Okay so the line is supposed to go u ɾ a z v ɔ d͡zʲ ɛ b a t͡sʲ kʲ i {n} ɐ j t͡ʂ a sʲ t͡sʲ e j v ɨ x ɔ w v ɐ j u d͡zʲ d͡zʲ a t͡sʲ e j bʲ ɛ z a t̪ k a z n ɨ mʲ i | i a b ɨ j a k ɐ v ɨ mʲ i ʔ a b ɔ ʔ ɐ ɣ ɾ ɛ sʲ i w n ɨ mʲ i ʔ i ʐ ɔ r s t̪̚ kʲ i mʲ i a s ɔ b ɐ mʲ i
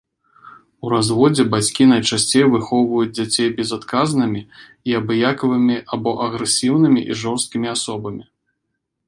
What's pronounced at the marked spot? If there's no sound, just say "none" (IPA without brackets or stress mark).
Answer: n